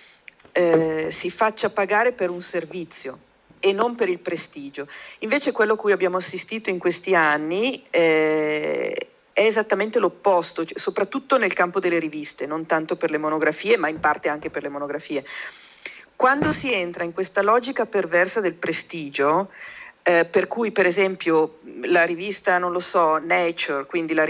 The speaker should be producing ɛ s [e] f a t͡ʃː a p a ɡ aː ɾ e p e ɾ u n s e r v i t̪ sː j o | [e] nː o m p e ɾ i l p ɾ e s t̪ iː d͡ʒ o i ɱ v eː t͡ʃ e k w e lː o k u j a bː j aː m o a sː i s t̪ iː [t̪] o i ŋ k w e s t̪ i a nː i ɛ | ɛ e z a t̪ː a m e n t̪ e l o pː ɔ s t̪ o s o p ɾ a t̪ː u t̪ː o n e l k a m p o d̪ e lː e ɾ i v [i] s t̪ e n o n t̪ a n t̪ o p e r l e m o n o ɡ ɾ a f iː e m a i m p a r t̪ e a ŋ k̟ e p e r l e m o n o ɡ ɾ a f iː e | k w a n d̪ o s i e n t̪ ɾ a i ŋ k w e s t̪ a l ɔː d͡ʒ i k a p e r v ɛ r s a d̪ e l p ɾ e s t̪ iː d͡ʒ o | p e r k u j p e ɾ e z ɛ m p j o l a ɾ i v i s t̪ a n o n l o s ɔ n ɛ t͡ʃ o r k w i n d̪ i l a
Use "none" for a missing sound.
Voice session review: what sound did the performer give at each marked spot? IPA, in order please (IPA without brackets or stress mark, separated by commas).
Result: i, e, t̪, i